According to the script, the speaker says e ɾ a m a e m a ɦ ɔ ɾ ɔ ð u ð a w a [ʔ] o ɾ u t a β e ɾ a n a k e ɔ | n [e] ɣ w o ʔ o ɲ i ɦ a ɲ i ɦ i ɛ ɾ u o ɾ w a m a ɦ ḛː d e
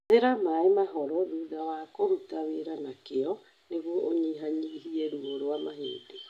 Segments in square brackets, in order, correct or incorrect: incorrect, correct

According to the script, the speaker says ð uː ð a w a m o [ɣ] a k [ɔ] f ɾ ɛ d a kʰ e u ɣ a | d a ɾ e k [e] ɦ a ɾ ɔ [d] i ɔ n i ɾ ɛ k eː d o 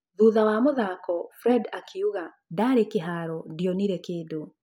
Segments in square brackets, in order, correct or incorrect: incorrect, correct, correct, correct

